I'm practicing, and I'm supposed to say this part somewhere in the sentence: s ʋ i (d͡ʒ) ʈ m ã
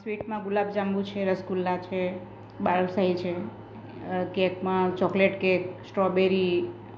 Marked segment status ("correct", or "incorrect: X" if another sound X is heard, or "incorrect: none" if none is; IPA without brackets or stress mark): incorrect: none